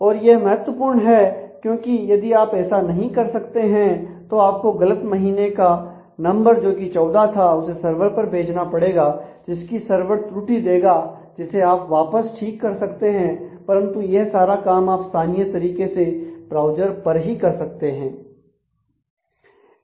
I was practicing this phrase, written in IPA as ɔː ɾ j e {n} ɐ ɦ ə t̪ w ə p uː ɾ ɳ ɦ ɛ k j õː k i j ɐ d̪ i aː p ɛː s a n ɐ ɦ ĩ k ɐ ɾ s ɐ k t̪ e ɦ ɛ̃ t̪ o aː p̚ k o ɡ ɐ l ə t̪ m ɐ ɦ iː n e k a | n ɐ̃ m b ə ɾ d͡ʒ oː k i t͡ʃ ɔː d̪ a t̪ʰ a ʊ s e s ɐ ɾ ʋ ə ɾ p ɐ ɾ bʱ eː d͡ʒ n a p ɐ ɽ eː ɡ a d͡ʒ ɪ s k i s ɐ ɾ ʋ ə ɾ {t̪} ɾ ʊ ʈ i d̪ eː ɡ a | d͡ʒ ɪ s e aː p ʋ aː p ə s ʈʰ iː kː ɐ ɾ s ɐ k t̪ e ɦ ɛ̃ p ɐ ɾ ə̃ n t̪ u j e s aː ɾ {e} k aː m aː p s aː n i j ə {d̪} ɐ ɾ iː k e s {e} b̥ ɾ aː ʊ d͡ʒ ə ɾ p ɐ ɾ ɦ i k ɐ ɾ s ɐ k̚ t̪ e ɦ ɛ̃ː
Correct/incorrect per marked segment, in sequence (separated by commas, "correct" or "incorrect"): incorrect, correct, incorrect, incorrect, correct